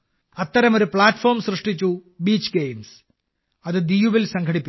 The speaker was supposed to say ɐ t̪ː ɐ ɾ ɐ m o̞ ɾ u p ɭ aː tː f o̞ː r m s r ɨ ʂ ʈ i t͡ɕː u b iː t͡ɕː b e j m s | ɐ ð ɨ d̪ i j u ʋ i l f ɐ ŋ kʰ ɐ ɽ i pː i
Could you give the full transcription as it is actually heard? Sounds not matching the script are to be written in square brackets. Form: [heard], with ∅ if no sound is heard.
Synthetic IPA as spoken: ɐ t̪ː ɐ ɾ ɐ m o̞ ɾ u p ɭ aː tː f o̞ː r m s r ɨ ʂ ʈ i t͡ɕː u b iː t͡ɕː [ɡ] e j m s | ɐ ð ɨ d̪ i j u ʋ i l [s] ɐ ŋ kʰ ɐ ɽ i pː i